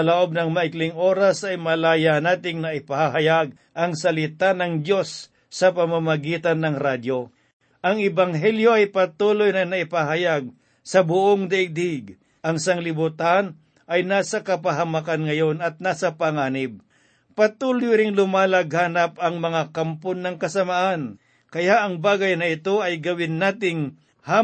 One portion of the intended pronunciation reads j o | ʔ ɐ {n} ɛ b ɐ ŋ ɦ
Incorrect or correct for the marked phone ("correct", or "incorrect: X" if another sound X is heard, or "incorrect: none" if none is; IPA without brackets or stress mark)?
incorrect: ŋ